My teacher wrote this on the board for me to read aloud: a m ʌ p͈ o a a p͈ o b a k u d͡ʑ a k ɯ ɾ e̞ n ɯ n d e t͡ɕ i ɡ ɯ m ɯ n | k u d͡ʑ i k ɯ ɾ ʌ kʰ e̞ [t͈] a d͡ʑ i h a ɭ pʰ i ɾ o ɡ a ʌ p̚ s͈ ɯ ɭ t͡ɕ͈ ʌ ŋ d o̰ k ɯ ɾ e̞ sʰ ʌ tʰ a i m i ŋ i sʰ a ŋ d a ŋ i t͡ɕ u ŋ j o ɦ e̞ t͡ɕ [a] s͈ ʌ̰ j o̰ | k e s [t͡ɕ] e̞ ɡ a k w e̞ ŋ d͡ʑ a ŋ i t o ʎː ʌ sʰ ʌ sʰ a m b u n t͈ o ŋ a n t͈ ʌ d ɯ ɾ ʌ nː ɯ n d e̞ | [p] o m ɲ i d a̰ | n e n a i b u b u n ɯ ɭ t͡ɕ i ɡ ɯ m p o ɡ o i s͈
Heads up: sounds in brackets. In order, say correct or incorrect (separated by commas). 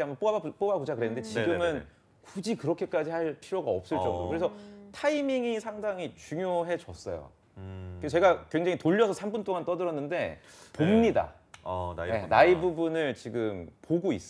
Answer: incorrect, incorrect, correct, correct